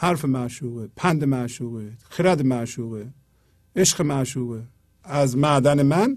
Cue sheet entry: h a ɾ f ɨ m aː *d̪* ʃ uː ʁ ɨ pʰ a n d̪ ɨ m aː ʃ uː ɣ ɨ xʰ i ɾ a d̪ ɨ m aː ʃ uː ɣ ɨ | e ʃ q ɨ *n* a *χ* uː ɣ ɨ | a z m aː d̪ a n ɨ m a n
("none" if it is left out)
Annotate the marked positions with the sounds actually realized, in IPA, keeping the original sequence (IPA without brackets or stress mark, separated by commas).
none, m, ʃ